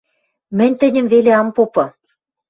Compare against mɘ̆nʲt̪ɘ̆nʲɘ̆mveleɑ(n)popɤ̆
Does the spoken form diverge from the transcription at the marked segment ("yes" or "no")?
yes